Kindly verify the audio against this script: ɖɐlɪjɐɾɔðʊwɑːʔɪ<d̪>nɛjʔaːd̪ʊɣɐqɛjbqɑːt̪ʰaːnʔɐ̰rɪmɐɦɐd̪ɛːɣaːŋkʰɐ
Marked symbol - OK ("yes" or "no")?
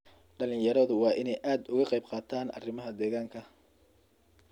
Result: no